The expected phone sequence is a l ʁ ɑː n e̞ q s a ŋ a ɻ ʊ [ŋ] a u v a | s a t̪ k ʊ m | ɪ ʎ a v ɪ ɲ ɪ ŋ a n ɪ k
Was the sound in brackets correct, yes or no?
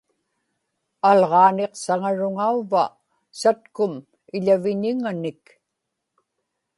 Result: yes